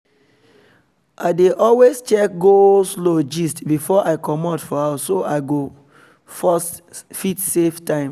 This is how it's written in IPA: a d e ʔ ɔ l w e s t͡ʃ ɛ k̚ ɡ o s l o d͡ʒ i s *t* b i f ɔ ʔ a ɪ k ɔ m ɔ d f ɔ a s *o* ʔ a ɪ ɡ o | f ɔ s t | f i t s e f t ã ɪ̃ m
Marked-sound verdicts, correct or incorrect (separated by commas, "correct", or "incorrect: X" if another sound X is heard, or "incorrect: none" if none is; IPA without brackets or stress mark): correct, correct